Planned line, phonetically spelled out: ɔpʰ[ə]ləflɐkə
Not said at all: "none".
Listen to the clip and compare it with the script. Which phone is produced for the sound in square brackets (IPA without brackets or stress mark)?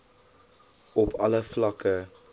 ɐ